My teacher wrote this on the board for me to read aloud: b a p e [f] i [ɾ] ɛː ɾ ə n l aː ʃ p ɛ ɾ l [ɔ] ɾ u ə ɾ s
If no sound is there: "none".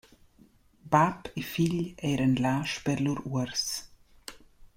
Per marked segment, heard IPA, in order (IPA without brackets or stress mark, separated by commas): f, ʎ, u